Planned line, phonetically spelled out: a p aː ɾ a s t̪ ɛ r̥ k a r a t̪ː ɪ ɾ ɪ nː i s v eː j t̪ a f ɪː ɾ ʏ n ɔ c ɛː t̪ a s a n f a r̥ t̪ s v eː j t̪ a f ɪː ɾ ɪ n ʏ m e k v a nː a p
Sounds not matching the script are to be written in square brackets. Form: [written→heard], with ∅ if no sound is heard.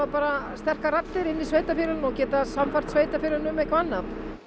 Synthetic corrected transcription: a p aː ɾ a s t̪ ɛ r̥ k a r a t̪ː ɪ ɾ ɪ nː i s v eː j t̪ a f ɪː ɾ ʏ n ɔ c ɛː t̪ a s a [n→m] f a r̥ t̪ s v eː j t̪ a f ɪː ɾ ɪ n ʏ m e k v a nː a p